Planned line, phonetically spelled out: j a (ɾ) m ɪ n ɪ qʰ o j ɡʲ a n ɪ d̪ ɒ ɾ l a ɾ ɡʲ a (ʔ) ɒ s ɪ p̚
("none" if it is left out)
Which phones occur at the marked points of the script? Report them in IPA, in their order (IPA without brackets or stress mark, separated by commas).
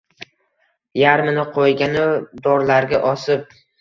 ɾ, ʔ